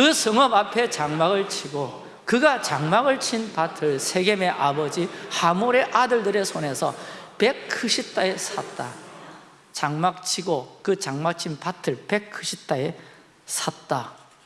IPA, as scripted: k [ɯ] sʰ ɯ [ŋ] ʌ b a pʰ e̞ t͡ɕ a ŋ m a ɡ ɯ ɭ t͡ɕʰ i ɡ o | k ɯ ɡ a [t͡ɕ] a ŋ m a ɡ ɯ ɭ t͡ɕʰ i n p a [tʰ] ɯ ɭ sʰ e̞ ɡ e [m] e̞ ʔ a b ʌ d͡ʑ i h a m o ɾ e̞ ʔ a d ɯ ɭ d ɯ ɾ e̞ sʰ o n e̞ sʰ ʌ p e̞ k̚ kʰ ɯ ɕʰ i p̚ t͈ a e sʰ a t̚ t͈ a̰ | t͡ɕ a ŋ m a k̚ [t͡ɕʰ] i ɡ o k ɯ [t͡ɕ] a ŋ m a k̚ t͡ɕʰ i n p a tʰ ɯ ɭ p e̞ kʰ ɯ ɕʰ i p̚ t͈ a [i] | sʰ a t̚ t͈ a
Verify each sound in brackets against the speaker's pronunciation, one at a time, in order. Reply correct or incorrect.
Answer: correct, correct, correct, correct, correct, correct, correct, incorrect: e

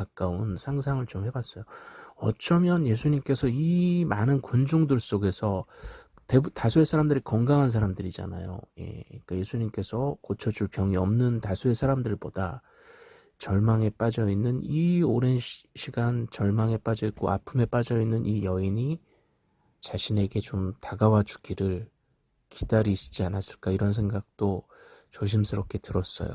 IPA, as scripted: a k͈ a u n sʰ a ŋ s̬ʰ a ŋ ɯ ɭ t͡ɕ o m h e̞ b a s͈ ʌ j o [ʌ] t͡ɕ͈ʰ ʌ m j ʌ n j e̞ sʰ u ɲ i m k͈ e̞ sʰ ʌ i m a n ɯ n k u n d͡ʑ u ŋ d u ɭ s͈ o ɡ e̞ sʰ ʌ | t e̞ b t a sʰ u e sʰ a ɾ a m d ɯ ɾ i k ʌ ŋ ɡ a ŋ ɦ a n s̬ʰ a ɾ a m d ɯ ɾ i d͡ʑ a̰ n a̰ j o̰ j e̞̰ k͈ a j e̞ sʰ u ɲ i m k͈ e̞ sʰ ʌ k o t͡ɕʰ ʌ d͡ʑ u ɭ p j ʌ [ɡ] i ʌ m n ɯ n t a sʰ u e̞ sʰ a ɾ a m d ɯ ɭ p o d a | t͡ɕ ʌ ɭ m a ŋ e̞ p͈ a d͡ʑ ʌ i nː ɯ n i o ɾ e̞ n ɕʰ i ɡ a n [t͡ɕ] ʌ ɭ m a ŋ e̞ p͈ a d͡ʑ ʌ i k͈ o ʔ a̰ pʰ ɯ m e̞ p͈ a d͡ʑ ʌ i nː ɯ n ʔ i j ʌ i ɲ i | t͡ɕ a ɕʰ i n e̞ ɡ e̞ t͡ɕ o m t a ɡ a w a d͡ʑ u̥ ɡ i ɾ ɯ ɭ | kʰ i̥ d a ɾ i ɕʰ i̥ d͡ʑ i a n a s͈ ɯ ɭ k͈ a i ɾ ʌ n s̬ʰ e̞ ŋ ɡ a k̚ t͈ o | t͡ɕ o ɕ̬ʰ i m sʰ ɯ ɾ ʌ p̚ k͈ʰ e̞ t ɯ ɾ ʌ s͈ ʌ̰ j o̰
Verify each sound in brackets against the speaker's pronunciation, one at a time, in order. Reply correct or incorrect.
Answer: correct, incorrect: ŋ, correct

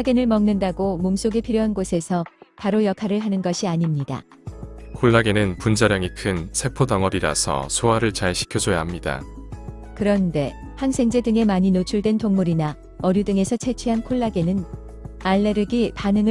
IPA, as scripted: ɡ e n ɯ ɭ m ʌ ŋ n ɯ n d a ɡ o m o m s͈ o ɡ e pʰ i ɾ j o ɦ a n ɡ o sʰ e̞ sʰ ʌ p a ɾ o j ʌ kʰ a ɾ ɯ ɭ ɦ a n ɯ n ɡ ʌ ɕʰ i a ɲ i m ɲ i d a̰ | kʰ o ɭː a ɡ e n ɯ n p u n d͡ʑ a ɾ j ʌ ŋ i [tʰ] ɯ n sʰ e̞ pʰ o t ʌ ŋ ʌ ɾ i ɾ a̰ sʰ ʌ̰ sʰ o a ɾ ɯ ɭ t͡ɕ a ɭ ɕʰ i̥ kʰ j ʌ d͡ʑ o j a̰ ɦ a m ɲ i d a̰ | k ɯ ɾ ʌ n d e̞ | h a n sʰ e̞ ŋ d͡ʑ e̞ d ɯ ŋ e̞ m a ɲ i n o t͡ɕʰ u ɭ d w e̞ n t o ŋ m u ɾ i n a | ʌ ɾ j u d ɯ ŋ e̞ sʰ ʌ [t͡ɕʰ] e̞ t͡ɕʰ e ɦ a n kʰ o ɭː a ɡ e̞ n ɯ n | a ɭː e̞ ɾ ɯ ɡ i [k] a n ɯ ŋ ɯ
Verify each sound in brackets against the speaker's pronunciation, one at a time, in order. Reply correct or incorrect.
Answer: incorrect: kʰ, correct, incorrect: p

